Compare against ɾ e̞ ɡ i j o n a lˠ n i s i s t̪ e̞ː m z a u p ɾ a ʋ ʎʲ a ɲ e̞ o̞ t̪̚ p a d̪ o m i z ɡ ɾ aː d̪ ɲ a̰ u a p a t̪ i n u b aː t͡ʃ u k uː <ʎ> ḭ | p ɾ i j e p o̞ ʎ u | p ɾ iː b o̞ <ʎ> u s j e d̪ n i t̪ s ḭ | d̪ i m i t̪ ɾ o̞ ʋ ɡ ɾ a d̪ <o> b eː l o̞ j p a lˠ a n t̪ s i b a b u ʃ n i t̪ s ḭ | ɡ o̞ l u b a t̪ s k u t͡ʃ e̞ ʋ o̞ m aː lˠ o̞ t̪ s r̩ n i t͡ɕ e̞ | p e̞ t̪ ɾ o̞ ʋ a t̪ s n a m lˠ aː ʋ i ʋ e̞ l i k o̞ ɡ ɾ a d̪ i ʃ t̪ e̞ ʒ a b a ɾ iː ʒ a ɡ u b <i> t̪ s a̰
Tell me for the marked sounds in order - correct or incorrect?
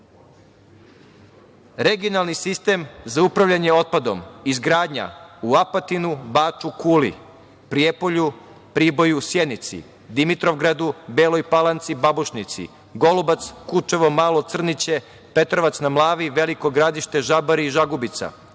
incorrect: l, incorrect: j, incorrect: u, correct

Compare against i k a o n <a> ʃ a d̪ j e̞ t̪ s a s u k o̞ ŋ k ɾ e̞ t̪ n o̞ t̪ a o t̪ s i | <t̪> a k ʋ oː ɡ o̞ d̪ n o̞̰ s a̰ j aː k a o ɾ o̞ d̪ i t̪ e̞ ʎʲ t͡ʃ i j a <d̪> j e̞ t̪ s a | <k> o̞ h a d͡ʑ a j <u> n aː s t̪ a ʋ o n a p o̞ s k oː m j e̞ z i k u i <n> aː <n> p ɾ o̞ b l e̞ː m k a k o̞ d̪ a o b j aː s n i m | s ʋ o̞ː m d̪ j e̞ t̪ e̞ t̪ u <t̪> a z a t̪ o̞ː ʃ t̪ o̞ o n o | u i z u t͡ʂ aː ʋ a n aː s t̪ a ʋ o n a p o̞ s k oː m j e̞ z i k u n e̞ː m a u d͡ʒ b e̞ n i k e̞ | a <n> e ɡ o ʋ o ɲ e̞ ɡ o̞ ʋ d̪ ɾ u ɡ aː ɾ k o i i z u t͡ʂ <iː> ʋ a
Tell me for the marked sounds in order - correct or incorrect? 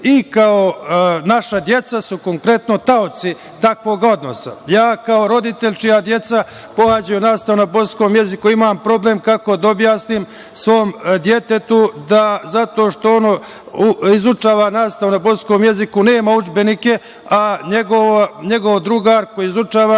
correct, correct, correct, incorrect: p, correct, incorrect: m, incorrect: m, incorrect: d̪, incorrect: ɲ, incorrect: aː

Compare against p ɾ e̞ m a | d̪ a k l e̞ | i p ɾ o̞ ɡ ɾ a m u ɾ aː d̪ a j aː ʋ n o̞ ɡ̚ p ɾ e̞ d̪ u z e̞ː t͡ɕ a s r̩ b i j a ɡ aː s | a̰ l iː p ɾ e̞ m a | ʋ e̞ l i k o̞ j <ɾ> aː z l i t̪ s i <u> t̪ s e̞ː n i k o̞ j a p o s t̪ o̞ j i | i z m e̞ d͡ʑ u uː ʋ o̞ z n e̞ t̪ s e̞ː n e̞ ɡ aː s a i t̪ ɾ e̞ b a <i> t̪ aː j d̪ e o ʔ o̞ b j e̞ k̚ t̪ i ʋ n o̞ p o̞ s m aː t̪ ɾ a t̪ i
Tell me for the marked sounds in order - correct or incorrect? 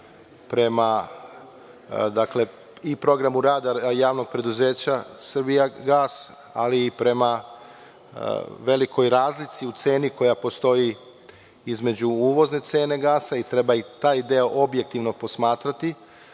correct, correct, correct

